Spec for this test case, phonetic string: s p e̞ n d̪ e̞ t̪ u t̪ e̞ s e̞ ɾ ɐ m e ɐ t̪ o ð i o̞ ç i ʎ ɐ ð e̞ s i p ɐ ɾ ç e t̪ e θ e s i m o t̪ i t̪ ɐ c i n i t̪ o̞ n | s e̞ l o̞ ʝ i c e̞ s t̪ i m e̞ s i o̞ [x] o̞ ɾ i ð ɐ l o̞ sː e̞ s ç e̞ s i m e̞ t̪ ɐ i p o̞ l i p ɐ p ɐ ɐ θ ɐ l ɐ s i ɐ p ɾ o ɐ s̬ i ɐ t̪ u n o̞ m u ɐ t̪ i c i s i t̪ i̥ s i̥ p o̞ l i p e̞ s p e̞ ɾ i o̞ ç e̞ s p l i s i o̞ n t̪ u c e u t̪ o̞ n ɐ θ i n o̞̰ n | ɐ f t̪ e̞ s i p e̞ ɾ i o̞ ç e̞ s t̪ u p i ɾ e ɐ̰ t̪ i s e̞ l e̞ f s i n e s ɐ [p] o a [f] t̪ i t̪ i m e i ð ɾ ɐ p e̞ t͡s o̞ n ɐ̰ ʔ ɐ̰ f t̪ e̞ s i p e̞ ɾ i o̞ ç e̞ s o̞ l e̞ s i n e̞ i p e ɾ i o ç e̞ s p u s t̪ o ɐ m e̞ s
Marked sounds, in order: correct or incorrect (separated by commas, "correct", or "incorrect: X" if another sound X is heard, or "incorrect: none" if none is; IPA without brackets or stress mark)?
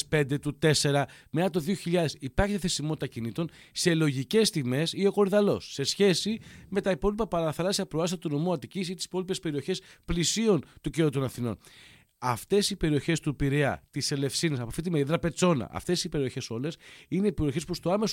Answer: incorrect: k, correct, correct